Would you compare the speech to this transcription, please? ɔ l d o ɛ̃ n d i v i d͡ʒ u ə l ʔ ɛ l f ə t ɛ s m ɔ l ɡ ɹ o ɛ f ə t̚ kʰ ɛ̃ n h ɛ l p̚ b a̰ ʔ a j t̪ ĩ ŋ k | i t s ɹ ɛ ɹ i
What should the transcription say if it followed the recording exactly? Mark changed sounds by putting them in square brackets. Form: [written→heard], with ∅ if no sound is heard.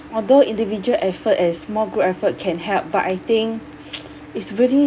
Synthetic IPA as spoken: ɔ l d o [ɛ̃→ĩ] n d i v i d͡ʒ u ə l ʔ ɛ [l→∅] f ə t ɛ s m ɔ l ɡ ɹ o ɛ f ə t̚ kʰ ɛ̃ n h ɛ l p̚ b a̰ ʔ a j t̪ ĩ ŋ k | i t s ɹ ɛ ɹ i